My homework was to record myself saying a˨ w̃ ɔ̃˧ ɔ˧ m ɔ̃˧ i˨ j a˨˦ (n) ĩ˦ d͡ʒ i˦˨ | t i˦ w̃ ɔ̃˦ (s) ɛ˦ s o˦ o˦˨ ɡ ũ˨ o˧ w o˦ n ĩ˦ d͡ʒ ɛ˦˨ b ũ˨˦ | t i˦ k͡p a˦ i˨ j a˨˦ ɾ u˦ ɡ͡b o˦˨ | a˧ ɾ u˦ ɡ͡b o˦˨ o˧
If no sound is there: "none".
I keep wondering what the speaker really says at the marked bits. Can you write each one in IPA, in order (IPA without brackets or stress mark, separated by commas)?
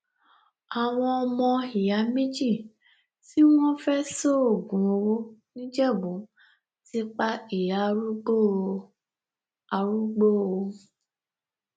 m, f